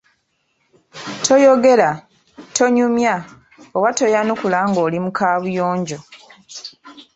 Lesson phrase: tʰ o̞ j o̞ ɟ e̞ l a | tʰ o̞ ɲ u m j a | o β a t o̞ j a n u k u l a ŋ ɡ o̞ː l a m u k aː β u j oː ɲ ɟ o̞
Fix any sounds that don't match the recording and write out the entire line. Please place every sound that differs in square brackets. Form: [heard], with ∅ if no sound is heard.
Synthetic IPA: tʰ o̞ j o̞ [ɡ] e̞ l a | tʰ o̞ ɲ u m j a | o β a t o̞ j a n u k u l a ŋ ɡ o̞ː l [i] m u k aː β u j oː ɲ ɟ o̞